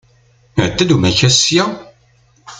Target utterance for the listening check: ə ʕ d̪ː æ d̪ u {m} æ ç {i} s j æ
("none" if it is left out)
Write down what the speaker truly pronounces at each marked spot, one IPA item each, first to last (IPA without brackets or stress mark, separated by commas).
m, æ